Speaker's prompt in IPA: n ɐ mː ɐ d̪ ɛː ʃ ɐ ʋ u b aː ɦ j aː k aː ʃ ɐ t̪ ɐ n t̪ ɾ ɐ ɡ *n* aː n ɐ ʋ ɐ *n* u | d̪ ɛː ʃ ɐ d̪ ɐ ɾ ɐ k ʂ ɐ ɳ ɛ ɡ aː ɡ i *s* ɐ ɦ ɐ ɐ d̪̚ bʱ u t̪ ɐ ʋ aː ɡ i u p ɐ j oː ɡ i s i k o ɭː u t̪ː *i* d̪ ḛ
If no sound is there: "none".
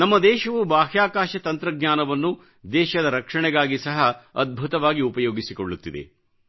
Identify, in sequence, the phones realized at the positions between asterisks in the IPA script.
ɲ, nː, s, i

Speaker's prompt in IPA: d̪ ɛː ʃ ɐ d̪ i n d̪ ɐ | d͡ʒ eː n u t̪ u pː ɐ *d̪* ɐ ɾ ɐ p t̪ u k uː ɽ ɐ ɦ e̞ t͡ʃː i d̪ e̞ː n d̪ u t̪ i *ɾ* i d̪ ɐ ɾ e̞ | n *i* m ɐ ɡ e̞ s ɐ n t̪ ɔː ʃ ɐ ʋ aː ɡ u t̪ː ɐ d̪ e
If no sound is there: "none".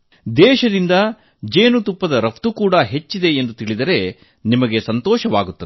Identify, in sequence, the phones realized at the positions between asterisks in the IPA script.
d̪, ɭ, i

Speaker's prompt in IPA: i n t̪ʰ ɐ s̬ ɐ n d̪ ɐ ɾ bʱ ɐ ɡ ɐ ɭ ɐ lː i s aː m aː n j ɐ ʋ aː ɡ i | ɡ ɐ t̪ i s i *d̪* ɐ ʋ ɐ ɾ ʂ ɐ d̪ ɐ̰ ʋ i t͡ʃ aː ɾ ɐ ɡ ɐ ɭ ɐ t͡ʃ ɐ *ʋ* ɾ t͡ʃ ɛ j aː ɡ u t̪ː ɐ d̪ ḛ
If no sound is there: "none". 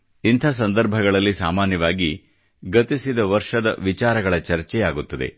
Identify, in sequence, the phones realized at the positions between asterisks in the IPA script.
d̪, none

